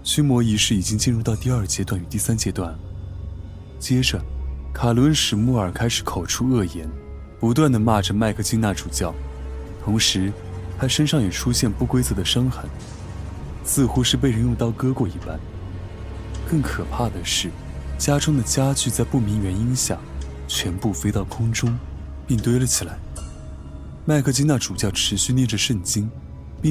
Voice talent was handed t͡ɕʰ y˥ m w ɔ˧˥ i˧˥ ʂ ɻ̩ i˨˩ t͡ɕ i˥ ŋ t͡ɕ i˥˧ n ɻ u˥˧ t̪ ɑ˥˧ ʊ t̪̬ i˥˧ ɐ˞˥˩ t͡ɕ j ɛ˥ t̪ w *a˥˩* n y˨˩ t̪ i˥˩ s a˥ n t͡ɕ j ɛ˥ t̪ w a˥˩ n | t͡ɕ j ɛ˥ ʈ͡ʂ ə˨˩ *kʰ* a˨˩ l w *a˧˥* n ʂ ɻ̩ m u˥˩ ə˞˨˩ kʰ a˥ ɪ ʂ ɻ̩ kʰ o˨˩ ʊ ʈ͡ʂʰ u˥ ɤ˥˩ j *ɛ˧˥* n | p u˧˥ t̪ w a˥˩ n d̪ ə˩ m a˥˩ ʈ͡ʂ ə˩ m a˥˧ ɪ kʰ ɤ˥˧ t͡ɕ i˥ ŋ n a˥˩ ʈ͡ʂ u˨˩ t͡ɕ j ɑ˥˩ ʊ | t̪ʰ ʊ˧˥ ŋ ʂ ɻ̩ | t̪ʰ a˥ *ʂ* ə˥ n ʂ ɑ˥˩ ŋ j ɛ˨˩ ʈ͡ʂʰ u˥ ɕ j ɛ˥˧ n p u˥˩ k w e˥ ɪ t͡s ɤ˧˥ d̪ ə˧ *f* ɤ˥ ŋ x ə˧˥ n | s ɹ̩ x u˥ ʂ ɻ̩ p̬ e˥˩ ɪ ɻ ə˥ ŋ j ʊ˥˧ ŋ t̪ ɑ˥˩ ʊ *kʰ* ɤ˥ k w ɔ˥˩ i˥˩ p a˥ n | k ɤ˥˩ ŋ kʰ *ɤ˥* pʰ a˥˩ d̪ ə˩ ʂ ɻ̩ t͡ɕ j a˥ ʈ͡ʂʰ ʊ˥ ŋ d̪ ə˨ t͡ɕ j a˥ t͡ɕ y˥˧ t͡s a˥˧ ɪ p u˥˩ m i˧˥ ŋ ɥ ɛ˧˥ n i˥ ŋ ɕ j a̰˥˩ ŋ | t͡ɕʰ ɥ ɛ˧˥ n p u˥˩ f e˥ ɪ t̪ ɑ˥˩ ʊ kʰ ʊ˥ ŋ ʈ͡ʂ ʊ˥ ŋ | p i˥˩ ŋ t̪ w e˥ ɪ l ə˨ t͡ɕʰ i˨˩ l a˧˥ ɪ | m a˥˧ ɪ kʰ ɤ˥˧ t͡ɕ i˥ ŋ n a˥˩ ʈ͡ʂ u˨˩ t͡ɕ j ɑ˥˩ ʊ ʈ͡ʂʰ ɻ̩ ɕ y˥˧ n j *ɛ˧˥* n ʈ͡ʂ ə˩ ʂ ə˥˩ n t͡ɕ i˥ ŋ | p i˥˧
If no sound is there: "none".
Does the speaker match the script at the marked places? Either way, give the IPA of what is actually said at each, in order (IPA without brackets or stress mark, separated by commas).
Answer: a˥˩, kʰ, ə˧˥, ɛ˧˥, ʂ, ʂ, k, ɤ˨˩, ɛ˥˩